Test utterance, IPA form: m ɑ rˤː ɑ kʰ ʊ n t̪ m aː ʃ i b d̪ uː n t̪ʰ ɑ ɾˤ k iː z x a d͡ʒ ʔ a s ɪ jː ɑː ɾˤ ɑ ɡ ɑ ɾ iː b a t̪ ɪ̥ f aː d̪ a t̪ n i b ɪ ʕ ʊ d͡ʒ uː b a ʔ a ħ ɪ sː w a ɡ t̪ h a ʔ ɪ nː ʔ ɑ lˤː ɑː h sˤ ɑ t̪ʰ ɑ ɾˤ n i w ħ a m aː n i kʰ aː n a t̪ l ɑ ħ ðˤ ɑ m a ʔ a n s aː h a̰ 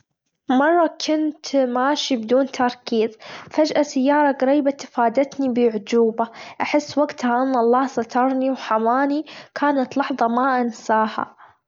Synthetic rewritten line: m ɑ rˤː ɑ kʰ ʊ n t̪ m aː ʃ i b d̪ uː n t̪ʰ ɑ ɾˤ k iː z f a d͡ʒ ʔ a s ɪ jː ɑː ɾˤ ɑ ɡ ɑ ɾ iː b a t̪ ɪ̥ f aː d̪ a t̪ n i b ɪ ʕ ʊ d͡ʒ uː b a ʔ a ħ ɪ sː w a ɡ t̪ h a ʔ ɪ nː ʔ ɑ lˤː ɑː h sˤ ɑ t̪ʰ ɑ ɾˤ n i w ħ a m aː n i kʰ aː n a t̪ l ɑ ħ ðˤ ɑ m a ʔ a n s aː h a̰